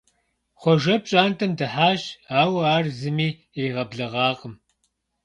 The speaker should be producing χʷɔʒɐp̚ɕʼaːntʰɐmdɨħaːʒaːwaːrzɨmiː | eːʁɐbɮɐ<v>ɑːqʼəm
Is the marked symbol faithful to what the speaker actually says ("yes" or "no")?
no